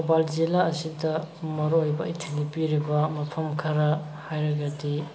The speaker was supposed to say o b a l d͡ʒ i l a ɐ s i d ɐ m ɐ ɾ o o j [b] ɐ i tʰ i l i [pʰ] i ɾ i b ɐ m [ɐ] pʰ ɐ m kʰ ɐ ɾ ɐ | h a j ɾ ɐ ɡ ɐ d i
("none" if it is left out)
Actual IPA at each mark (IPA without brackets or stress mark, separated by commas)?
b, p, ɐ